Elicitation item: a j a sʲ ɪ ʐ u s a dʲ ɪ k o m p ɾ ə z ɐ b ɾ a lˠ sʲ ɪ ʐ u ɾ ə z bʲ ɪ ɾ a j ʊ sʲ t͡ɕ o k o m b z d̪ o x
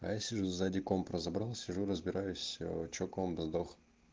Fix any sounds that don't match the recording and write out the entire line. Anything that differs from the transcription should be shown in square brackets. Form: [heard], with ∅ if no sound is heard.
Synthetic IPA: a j a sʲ ɪ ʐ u [z] a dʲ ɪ k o m p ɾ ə z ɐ b ɾ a lˠ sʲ ɪ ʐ u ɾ ə z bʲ ɪ ɾ a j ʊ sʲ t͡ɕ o k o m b z d̪ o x

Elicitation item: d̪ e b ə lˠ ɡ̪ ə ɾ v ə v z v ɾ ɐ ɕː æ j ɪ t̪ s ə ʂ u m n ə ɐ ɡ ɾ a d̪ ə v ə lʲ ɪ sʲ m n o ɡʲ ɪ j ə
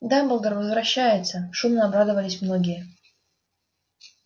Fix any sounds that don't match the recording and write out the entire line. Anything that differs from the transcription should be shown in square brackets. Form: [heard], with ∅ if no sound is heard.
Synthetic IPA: d̪ [a] b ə lˠ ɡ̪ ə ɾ v ə [∅] z v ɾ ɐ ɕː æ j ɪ t̪ s ə ʂ u m n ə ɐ [b] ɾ a d̪ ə v ə lʲ ɪ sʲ m n o ɡʲ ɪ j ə

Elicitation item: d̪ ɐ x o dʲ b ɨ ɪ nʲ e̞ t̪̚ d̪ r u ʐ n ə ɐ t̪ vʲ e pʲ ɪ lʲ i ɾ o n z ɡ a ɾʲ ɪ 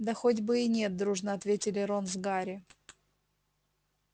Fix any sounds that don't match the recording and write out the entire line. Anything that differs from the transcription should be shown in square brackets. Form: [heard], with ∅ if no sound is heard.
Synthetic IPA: d̪ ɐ x o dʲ b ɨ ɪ nʲ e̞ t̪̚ d̪ [ɾ] u ʐ n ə ɐ t̪ vʲ e [tʲ] ɪ lʲ [ɪ] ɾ o n z ɡ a ɾʲ ɪ

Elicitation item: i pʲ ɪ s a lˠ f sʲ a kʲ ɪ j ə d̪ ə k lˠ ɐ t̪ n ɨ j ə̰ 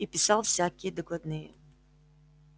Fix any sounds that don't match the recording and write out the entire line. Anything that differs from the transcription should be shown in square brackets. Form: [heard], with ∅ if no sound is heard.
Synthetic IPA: i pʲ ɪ s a lˠ f sʲ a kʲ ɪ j ə d̪ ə k lˠ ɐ [d̪] n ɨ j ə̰

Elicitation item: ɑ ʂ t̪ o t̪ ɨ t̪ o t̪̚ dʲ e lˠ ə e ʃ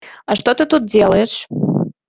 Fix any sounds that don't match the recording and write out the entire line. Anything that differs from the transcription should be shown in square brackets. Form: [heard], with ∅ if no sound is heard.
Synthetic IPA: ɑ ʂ t̪ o t̪ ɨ t̪ [u] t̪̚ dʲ e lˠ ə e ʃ

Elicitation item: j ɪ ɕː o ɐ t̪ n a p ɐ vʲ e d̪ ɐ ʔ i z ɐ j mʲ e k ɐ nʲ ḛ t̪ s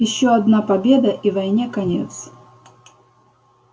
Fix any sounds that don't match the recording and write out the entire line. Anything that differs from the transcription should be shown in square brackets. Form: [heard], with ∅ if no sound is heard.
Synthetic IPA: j ɪ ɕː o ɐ [d̪] n a p ɐ [bʲ] e d̪ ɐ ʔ i [v] ɐ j [nʲ] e k ɐ nʲ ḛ t̪ s

